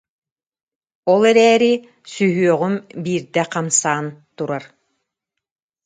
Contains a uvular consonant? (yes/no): yes